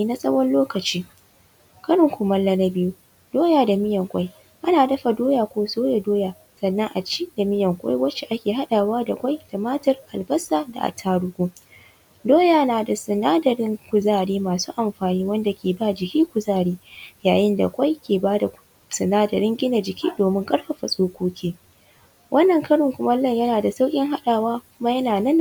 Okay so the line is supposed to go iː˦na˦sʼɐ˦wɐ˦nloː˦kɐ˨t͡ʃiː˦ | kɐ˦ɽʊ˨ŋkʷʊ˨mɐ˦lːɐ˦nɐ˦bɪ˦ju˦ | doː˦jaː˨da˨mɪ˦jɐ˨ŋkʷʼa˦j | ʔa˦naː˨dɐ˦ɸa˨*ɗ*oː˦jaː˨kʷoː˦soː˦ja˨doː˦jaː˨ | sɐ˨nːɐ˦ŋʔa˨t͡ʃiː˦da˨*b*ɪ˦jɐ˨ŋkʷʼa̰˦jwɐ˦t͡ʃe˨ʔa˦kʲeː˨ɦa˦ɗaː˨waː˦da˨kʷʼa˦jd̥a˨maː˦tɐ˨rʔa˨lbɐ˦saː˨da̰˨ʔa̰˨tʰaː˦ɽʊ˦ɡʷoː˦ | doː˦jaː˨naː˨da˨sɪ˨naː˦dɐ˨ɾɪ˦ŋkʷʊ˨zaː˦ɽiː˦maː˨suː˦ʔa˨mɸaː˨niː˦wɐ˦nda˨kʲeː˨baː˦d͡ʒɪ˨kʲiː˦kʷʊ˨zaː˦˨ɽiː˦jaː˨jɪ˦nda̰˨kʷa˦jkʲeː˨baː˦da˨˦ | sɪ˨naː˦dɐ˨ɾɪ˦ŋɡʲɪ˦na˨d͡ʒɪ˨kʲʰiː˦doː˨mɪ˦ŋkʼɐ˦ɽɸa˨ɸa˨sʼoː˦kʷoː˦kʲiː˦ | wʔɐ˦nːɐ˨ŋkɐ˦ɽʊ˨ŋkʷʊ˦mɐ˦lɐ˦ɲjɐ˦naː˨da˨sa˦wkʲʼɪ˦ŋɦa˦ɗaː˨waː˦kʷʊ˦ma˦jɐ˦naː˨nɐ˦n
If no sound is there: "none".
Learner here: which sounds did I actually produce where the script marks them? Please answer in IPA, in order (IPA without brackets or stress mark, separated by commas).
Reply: d, m